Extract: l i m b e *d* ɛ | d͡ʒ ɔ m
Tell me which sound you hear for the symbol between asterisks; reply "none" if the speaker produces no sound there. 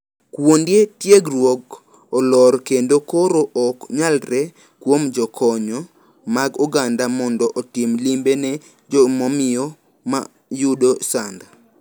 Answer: n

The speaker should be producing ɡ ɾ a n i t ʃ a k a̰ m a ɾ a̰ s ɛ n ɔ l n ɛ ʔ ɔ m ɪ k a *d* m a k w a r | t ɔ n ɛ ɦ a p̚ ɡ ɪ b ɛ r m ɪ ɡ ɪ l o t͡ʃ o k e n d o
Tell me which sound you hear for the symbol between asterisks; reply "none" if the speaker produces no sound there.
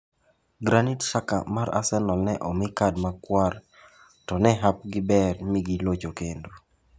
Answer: d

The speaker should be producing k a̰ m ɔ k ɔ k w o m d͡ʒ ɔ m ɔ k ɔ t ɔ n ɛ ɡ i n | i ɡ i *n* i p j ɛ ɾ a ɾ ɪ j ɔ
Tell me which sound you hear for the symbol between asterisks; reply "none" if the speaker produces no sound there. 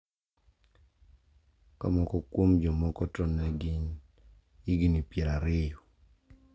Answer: n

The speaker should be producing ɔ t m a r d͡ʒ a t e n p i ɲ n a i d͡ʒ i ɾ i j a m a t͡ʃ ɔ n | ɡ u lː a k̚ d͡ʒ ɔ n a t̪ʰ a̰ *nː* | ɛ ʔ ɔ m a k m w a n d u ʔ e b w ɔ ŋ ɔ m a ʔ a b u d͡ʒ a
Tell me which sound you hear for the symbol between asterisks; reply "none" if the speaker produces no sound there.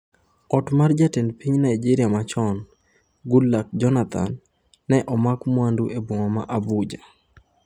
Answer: nː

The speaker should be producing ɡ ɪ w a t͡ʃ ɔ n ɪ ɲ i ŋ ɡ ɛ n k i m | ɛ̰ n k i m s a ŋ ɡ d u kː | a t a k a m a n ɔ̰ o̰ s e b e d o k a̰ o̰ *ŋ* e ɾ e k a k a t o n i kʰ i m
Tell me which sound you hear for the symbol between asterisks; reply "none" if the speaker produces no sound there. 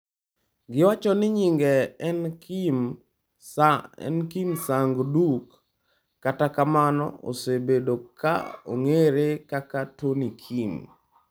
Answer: ŋ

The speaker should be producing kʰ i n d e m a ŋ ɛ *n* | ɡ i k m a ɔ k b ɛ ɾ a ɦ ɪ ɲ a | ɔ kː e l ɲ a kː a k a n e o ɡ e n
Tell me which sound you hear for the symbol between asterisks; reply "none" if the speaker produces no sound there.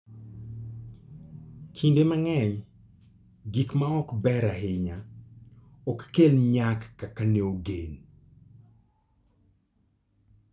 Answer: ɲ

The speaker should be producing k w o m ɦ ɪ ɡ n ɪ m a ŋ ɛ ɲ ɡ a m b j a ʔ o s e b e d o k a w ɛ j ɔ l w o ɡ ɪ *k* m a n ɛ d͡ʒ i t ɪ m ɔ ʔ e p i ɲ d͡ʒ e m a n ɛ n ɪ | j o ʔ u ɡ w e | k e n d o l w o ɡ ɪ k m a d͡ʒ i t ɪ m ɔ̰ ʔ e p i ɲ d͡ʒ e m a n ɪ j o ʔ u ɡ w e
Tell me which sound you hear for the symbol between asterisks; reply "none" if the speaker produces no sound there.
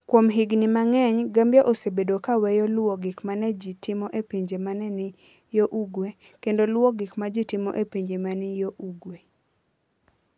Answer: k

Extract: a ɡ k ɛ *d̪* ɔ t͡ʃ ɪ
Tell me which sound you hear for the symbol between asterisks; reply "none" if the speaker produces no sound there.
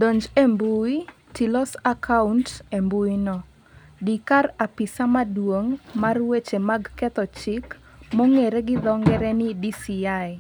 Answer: t̪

